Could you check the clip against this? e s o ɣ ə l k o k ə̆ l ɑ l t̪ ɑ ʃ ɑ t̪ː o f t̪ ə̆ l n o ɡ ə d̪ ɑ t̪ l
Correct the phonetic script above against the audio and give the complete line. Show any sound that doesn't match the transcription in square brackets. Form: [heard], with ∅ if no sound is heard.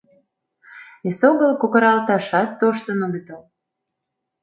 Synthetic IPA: e s o ɣ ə l k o k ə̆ [ɾ] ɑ l t̪ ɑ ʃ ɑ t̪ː o [ʃ] t̪ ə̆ [∅] n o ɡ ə [t̪] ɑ [∅] l